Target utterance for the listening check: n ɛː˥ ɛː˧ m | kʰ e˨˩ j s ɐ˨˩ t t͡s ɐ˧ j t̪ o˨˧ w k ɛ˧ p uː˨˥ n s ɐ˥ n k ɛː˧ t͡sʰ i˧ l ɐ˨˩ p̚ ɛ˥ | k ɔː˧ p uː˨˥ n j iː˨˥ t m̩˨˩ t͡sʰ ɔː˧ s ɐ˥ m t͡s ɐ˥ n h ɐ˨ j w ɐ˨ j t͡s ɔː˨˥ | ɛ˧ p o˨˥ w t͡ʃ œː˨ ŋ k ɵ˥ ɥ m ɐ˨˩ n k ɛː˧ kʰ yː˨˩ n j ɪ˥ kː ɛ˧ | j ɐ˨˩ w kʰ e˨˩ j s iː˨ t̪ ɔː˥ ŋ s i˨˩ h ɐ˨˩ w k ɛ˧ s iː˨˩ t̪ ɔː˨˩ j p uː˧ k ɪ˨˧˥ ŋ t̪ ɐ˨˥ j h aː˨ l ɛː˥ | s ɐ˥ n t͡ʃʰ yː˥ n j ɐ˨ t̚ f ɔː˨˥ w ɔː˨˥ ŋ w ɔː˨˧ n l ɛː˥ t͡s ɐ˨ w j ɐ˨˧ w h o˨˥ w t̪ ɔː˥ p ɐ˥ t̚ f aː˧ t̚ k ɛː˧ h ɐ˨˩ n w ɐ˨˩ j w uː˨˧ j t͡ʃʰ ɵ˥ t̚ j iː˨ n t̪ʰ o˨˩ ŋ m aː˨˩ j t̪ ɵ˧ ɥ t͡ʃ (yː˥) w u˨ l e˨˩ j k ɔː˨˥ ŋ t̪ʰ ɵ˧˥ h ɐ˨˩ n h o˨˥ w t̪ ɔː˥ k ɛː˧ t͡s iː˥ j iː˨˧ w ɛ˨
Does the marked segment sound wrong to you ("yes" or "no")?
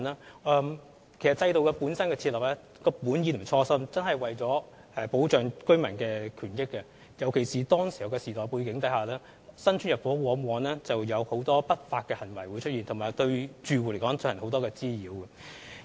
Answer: yes